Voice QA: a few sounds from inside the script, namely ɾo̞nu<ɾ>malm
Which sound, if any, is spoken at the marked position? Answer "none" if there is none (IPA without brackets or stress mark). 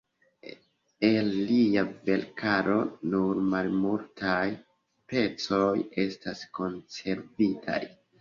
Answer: ɾ